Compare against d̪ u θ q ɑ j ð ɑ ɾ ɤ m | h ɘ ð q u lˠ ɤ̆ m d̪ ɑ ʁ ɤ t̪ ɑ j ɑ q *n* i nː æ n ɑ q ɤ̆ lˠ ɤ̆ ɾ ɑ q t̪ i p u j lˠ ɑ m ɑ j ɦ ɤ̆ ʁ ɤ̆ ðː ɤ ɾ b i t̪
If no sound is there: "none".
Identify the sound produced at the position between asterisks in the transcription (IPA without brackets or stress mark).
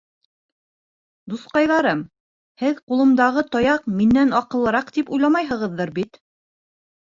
m